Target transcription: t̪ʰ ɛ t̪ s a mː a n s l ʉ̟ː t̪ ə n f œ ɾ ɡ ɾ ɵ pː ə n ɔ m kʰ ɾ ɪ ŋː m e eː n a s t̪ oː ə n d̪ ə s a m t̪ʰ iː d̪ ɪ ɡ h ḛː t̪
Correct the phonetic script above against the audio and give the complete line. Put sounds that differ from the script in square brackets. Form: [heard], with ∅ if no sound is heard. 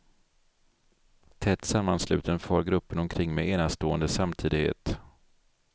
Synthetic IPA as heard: t̪ʰ ɛ t̪ s a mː a n s l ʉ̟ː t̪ ə n f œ ɾ ɡ ɾ ɵ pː ə n ɔ m kʰ ɾ ɪ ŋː m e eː n a s t̪ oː ə n d̪ ə s a m t̪ʰ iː d̪ ɪ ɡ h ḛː t̪